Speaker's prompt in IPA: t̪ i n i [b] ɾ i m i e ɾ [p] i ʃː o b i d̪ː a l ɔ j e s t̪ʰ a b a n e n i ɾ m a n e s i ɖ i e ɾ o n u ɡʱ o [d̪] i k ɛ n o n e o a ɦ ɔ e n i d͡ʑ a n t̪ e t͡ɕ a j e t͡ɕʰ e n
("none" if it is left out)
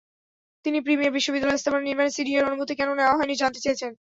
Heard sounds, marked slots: p, b, t̪

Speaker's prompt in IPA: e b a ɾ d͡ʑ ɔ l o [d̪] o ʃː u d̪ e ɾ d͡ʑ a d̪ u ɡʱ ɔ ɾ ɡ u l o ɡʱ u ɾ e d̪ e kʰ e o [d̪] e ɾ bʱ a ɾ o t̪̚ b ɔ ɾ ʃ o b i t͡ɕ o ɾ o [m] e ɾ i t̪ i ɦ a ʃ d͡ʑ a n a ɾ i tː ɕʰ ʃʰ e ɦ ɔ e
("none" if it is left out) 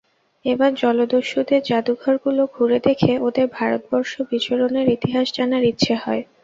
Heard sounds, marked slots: d̪, d̪, n

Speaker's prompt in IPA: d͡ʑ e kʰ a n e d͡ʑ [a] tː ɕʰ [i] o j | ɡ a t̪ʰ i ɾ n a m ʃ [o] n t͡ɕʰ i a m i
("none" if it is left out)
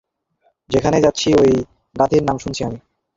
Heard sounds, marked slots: a, i, u

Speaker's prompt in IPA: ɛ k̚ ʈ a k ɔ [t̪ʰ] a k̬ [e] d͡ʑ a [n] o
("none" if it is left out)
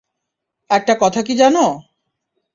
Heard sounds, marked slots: t̪ʰ, i, n

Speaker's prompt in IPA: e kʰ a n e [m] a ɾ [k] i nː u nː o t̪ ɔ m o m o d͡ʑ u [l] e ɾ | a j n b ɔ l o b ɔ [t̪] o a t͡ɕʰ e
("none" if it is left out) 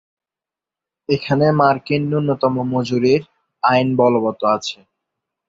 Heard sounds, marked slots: m, k, ɾ, t̪

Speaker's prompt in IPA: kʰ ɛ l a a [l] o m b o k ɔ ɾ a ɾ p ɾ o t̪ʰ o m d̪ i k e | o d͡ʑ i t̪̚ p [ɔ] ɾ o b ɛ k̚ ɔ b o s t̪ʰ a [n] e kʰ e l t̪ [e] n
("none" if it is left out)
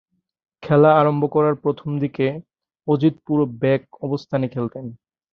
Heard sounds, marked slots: ɾ, u, n, e

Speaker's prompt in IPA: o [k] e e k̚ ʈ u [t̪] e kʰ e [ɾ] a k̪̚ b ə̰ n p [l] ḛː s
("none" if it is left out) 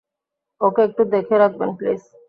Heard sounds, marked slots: k, d̪, ɾ, l

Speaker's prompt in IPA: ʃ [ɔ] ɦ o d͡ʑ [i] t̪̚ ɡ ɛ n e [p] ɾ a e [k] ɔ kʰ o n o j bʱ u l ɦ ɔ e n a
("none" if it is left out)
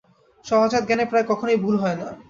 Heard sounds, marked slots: ɔ, a, p, k

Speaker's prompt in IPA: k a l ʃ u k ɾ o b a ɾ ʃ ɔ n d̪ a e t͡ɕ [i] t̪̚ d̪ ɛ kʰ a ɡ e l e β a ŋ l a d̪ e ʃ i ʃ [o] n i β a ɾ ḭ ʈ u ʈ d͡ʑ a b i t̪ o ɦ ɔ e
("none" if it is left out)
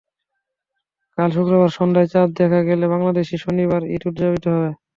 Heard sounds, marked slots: a, o

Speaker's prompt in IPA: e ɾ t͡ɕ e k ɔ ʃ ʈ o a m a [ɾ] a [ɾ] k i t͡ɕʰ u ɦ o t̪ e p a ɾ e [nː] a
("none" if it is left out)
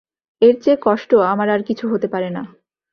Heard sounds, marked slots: ɾ, ɾ, n

